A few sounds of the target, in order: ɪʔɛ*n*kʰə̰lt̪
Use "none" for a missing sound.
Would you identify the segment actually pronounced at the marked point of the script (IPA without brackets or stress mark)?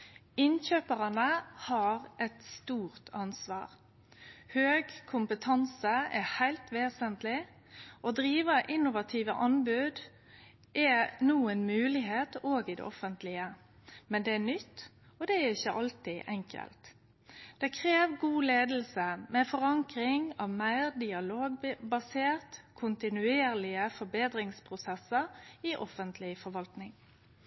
ŋ